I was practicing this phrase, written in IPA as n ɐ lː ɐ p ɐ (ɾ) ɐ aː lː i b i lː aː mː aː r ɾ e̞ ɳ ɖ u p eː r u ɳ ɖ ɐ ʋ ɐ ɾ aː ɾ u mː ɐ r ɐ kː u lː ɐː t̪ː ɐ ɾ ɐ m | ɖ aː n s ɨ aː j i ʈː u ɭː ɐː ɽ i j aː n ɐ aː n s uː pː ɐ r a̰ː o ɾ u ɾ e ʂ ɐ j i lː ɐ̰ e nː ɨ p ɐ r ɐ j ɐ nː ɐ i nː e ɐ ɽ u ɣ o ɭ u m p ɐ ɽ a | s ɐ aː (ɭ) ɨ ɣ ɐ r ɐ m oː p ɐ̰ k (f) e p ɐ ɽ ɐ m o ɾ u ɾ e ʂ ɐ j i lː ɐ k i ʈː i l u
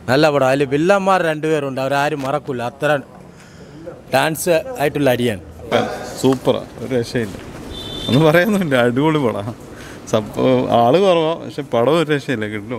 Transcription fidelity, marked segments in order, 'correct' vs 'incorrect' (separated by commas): incorrect, correct, incorrect